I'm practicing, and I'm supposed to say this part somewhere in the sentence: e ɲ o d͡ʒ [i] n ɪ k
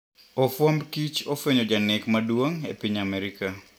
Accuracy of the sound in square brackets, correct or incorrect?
incorrect